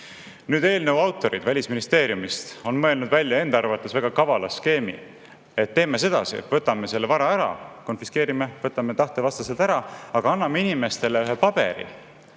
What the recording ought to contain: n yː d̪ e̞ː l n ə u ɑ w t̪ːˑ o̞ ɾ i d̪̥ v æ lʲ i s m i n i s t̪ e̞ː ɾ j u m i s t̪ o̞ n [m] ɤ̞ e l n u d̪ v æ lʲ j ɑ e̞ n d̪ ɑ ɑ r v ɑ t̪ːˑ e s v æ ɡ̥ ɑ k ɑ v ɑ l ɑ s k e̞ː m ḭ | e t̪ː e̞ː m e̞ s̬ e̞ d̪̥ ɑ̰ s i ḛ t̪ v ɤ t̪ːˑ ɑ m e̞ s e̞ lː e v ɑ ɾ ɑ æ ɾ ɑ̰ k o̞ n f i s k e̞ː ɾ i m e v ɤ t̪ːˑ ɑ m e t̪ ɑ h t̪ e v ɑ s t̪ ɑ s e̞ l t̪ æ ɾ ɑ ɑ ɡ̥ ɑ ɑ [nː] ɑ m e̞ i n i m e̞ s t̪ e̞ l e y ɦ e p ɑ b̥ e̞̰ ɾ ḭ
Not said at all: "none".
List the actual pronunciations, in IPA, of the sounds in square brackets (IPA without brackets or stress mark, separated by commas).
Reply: m, nː